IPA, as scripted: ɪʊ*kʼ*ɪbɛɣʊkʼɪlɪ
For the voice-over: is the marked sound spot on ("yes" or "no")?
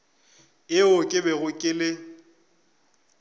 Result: yes